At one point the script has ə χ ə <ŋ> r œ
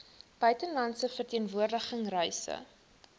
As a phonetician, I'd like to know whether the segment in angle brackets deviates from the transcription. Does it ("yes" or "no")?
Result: no